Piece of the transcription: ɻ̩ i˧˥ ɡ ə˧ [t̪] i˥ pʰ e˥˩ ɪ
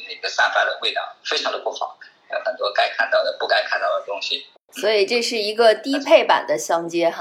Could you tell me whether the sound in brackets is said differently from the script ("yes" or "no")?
no